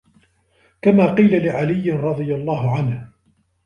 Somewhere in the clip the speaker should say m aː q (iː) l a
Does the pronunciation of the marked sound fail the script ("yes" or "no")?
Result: no